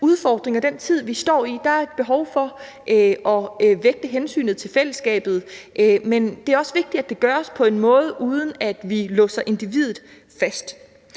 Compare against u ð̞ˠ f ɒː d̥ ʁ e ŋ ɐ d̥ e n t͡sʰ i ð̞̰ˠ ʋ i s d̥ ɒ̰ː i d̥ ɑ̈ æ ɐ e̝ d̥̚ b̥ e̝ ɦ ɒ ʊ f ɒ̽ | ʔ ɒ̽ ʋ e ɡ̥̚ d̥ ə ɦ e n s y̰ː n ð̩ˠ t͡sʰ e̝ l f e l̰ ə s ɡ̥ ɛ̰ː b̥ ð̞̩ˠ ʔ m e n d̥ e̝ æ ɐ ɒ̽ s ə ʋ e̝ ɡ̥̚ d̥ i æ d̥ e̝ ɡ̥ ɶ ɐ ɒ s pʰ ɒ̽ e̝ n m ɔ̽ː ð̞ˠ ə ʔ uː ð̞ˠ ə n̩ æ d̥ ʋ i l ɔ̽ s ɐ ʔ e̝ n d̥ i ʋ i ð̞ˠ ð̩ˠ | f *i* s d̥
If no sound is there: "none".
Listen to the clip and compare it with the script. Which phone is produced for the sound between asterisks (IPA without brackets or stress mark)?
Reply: æ